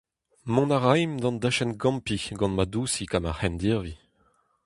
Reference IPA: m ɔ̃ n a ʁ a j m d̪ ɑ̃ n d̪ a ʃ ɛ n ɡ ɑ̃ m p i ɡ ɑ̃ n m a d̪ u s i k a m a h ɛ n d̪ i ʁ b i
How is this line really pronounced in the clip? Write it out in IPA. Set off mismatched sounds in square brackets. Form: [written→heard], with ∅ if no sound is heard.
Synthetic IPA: m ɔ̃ n a ʁ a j m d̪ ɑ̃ n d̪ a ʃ ɛ n ɡ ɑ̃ m p i ɡ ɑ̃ n m a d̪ u s i k a m a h ɛ n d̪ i ʁ [b→v] i